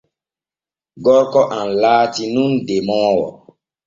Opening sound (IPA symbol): ɡ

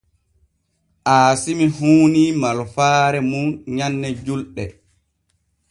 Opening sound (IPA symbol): ʔ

